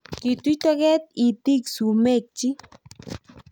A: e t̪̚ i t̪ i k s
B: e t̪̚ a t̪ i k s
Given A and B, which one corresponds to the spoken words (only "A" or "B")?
A